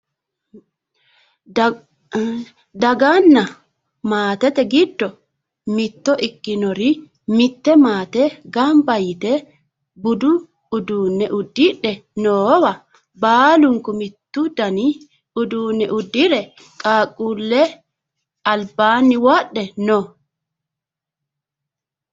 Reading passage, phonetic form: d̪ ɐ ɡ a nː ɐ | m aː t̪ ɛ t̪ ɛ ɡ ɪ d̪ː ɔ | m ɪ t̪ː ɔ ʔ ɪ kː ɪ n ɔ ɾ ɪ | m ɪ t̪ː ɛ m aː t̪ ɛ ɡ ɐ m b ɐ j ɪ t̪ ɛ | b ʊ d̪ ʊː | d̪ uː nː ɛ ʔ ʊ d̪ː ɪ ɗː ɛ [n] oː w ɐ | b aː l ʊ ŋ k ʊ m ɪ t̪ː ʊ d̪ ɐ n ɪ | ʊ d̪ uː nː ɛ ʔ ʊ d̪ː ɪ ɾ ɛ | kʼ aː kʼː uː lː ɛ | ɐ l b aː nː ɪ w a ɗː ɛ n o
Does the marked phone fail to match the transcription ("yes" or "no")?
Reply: no